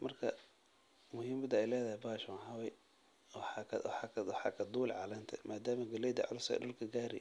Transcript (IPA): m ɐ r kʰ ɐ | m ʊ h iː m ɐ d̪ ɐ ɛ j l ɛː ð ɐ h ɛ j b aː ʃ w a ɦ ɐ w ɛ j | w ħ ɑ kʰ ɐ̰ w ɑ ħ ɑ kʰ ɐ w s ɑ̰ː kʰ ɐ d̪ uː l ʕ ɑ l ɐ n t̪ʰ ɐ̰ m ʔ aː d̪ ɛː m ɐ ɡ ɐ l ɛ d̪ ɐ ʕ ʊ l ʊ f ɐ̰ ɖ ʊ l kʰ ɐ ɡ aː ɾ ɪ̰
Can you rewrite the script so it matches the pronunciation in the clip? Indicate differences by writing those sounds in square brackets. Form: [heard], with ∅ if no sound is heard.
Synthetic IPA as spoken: m ɐ r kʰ ɐ | m ʊ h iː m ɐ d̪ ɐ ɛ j l ɛː ð ɐ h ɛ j b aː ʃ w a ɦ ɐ w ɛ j | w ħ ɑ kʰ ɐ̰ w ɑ ħ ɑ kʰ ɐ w [ħ] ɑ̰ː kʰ ɐ d̪ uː l ʕ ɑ l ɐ n t̪ʰ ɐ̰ m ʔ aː d̪ [aː] m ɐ ɡ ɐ l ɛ d̪ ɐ ʕ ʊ l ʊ [s] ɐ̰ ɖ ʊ l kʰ ɐ ɡ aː ɾ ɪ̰